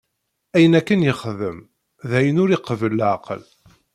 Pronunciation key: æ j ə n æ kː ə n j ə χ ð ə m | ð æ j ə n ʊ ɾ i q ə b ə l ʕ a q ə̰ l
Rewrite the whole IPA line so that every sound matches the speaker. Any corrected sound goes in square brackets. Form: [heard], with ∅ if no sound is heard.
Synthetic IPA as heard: æ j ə n æ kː ə n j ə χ ð ə m | ð æ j ə n ʊ ɾ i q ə [v] ə l ʕ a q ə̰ l